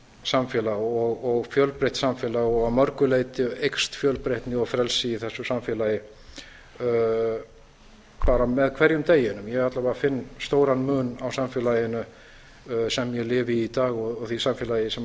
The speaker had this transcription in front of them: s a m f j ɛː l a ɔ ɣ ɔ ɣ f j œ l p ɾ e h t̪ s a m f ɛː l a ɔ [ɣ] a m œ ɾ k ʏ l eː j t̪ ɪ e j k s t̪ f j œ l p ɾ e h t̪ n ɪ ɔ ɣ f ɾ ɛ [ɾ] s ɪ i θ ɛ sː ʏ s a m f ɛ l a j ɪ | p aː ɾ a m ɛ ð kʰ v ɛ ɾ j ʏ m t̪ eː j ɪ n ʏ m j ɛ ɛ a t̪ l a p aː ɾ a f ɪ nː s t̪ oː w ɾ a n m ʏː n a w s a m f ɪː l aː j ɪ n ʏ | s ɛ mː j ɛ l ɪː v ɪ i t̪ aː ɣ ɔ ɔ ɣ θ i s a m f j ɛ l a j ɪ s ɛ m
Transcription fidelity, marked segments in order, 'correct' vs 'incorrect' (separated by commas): correct, incorrect